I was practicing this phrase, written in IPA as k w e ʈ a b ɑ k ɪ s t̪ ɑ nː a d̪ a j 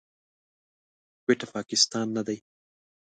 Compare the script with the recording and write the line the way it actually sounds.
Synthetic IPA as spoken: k w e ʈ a p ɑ k ɪ s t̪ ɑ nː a d̪ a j